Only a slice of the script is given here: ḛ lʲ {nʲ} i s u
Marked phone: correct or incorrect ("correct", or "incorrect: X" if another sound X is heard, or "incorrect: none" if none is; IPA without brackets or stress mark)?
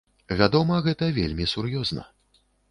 incorrect: mʲ